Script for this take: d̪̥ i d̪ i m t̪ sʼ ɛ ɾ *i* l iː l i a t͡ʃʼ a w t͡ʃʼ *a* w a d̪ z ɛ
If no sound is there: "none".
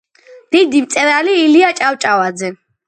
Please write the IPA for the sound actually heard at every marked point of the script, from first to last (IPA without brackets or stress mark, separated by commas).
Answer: a, a